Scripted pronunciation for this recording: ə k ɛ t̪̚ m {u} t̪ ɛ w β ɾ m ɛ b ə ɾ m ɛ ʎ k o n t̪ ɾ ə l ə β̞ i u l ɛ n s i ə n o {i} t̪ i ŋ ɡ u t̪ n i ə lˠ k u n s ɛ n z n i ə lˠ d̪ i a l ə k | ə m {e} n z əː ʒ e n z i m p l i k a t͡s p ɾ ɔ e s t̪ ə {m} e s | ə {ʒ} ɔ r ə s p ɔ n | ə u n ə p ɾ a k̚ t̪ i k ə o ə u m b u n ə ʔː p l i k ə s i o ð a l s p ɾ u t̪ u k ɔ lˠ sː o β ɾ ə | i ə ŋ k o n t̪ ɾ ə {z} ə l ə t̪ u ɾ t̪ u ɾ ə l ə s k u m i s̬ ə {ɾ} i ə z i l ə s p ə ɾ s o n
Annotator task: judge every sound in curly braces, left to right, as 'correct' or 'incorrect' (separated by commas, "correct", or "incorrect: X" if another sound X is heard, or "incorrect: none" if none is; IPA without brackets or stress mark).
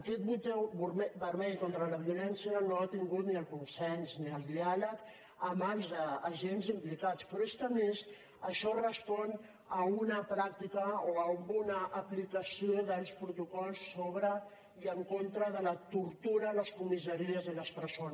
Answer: correct, incorrect: a, incorrect: a, correct, incorrect: ʃ, incorrect: ð, correct